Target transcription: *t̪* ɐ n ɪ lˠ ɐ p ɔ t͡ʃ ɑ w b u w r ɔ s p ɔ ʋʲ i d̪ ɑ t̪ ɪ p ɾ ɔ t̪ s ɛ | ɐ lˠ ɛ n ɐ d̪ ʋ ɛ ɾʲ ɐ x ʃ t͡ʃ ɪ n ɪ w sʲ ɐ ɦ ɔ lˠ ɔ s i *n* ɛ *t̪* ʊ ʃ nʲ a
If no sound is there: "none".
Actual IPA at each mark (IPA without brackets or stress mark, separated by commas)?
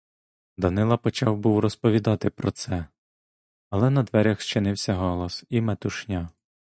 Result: d̪, m, t̪